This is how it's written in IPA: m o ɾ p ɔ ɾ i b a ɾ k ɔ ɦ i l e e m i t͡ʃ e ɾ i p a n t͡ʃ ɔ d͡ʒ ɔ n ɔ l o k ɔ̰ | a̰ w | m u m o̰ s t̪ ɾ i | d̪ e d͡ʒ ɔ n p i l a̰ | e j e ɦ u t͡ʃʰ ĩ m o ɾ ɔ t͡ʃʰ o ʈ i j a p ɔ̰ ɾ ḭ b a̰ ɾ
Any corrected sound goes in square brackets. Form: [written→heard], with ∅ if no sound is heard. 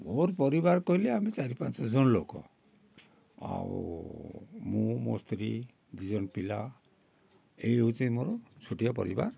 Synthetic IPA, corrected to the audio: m o ɾ p ɔ ɾ i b a ɾ k ɔ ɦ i l e [e→a] m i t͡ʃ [e→a] ɾ i p a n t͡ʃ ɔ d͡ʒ ɔ n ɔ l o k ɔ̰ | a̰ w | m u m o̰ s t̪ ɾ i | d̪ [e→i] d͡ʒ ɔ n p i l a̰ | e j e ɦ u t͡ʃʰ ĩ m o ɾ ɔ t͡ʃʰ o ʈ i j a p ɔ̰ ɾ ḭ b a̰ ɾ